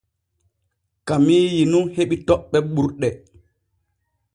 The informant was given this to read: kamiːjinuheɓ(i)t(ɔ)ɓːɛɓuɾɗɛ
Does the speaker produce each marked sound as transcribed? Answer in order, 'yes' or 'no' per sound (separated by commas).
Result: yes, yes